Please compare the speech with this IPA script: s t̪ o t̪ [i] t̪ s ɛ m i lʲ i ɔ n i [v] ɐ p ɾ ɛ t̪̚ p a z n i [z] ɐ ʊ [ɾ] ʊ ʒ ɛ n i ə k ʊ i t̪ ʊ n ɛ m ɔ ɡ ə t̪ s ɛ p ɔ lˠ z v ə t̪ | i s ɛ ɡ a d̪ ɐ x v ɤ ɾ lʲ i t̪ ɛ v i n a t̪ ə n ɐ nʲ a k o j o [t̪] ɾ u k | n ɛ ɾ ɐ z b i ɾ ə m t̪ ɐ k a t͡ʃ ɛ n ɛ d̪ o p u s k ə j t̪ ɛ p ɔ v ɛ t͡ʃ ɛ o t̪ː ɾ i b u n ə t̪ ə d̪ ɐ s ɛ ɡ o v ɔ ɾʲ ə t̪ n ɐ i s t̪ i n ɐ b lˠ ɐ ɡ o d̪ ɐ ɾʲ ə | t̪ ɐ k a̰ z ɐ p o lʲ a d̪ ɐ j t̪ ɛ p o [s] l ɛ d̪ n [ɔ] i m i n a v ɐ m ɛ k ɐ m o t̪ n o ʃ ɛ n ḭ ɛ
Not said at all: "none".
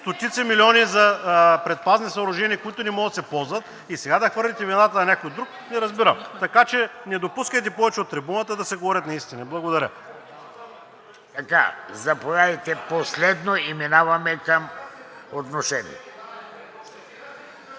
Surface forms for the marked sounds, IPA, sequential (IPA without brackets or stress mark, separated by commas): i, z, s, ɾ, d̪, s, o